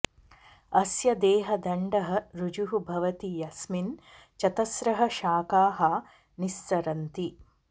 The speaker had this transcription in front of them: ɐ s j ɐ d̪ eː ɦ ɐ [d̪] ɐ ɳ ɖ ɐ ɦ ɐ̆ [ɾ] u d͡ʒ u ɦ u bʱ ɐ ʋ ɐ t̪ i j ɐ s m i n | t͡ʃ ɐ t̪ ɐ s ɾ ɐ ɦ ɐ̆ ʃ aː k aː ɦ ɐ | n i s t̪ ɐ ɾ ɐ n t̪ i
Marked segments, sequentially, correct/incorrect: correct, correct

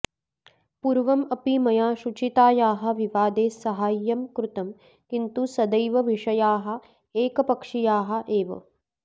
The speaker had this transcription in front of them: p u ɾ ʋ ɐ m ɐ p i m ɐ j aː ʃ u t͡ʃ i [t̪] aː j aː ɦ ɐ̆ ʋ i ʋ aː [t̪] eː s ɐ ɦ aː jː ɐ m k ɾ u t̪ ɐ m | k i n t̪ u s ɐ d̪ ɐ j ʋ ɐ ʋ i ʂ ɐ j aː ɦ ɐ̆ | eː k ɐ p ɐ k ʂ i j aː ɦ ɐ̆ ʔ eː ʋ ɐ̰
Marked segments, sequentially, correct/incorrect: correct, incorrect

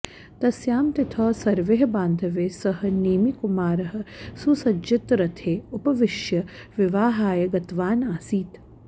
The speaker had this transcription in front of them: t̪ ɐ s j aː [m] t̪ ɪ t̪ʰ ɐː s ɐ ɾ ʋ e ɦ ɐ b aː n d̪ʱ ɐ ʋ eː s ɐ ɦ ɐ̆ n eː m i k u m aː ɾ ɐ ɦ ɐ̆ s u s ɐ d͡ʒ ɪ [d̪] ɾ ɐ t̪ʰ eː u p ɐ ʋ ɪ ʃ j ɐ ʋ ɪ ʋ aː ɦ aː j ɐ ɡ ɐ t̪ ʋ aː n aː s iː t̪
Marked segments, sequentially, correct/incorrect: correct, incorrect

